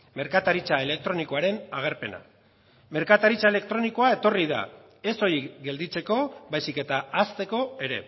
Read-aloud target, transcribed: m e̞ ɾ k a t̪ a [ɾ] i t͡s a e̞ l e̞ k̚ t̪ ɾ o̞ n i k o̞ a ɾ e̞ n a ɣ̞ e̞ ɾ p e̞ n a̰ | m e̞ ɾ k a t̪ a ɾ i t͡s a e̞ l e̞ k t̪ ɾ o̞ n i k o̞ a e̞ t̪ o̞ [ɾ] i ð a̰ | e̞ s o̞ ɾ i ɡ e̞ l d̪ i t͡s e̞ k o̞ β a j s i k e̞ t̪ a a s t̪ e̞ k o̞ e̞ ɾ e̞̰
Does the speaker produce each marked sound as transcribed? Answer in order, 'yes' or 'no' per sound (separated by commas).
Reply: yes, no